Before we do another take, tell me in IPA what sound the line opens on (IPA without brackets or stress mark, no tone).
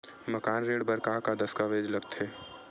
m